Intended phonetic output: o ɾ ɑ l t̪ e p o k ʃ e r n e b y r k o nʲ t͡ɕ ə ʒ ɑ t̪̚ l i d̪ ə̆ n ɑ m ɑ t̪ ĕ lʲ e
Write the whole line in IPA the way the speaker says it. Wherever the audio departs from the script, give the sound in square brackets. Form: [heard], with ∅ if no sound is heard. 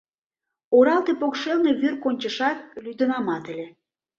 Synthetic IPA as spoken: o ɾ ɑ l t̪ e p o k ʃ e [l] n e [β] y r k o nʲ t͡ɕ ə [ʃ] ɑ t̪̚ l [y] d̪ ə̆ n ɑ m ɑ t̪ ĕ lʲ e